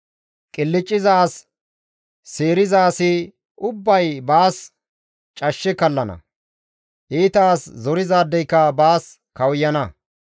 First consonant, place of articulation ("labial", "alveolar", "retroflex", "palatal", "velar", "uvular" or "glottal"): velar